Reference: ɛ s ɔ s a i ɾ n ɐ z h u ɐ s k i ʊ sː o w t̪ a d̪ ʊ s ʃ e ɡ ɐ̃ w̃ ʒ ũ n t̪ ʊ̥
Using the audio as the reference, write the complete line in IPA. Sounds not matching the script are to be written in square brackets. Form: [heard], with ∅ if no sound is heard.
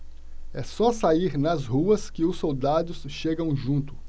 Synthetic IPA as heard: ɛ s ɔ s a i ɾ n ɐ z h u ɐ s k [ɪ] ʊ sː o w [d̪] a d̪ ʊ s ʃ e ɡ ɐ̃ w̃ ʒ ũ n t̪ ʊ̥